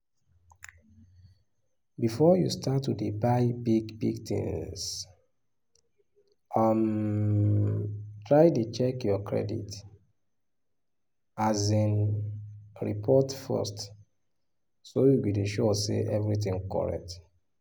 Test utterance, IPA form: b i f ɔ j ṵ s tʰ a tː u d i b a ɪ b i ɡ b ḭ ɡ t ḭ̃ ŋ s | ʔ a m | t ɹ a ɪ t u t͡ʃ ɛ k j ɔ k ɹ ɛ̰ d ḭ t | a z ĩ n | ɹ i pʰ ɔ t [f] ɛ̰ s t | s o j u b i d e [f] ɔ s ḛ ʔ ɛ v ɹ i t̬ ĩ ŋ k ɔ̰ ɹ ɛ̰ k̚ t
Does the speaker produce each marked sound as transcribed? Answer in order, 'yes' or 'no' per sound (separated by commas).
yes, no